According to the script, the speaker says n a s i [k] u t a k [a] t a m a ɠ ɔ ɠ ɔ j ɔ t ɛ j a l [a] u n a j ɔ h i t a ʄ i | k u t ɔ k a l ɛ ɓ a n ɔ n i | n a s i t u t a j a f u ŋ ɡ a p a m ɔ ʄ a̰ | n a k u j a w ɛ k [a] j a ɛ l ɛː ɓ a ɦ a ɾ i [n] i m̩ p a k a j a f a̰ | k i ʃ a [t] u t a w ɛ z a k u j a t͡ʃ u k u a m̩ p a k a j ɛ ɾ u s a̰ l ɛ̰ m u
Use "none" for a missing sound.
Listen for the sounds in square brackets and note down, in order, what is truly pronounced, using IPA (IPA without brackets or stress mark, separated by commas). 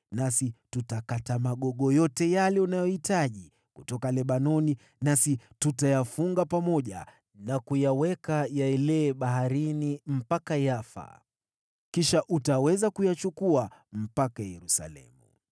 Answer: t, a, ɛ, a, n, ʔ